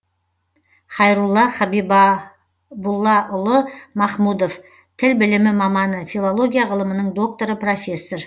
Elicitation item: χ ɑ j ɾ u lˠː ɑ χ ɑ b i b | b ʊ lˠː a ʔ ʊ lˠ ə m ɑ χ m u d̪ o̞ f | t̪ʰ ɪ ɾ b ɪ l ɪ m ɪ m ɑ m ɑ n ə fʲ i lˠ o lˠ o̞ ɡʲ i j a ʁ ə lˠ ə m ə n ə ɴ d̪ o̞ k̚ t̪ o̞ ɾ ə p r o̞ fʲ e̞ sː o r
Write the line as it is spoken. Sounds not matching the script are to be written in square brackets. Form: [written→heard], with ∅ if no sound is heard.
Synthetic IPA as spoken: χ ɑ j ɾ u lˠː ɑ χ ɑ b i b | b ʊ lˠː [a→ɑ] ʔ ʊ lˠ ə m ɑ χ m u d̪ o̞ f | t̪ʰ ɪ [ɾ→l] b ɪ l ɪ m ɪ m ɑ m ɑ n ə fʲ i lˠ o lˠ o̞ ɡʲ i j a ʁ ə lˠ ə m ə n ə ɴ d̪ o̞ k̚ t̪ o̞ ɾ ə p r o̞ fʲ e̞ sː o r